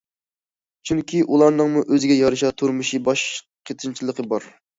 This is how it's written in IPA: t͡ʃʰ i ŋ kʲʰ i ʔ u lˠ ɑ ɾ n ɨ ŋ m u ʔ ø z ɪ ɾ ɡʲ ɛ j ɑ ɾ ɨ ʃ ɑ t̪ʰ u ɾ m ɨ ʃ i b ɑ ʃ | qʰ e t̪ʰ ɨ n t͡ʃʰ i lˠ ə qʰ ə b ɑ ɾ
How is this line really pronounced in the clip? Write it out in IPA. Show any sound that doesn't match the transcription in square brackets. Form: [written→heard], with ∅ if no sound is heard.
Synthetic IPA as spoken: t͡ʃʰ [i→y] ŋ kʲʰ i ʔ u lˠ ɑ ɾ n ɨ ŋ m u ʔ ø z ɪ [ɾ→∅] ɡʲ ɛ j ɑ ɾ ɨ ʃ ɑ t̪ʰ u ɾ m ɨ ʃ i b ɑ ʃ | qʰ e t̪ʰ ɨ n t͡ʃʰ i lˠ ə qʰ ə b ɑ ɾ